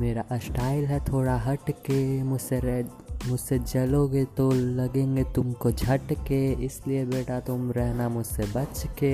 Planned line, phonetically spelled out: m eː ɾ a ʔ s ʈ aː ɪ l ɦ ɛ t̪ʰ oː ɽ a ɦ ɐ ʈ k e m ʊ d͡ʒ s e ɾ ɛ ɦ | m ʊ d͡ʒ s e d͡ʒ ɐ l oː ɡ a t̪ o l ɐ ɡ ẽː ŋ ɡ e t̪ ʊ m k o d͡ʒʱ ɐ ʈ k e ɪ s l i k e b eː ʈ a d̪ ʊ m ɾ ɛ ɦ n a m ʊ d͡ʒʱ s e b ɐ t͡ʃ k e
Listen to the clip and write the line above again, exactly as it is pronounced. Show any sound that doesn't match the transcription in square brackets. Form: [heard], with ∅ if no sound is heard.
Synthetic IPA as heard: m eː ɾ a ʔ s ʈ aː ɪ l ɦ ɛ t̪ʰ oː ɽ a ɦ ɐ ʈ k e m ʊ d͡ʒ s e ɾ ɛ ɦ | m ʊ d͡ʒ s e d͡ʒ ɐ l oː ɡ [e] t̪ o l ɐ ɡ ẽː ŋ ɡ e t̪ ʊ m k o d͡ʒʱ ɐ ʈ k e ɪ s l i [∅] e b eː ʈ a [t̪] ʊ m ɾ ɛ ɦ n a m ʊ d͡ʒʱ s e b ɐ t͡ʃ k e